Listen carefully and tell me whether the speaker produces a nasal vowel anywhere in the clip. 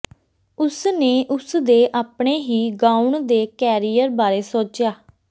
no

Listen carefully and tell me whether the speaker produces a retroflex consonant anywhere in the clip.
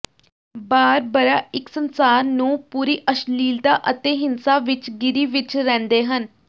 no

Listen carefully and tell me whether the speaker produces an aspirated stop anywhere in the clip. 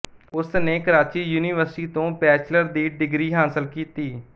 no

